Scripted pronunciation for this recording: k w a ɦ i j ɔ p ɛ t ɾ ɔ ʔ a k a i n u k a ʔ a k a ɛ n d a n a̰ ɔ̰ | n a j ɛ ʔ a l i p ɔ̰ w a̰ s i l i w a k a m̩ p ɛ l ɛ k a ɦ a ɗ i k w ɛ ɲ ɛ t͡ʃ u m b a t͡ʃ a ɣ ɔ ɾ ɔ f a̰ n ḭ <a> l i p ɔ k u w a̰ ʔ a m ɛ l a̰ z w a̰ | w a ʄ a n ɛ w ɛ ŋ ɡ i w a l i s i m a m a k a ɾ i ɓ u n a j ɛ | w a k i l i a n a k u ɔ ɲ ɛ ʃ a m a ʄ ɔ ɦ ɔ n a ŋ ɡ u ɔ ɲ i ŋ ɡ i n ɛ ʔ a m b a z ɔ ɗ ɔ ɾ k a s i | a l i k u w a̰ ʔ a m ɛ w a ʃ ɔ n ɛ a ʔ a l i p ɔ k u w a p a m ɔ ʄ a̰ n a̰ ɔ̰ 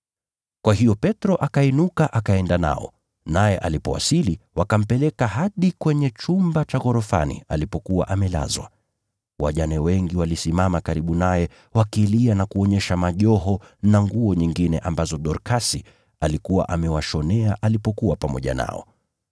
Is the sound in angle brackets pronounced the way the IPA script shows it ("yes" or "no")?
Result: yes